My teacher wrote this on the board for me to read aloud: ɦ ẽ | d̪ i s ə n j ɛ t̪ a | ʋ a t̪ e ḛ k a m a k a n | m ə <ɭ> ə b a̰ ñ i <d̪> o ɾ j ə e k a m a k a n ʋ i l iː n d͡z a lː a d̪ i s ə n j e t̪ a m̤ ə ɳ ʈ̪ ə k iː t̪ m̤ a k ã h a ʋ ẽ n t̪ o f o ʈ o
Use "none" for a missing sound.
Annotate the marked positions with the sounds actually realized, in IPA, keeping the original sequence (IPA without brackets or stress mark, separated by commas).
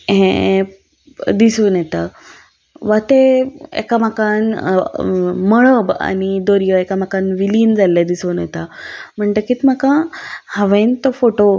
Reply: ɭ, d̪